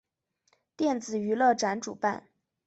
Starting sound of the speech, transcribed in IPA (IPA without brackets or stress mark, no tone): t̪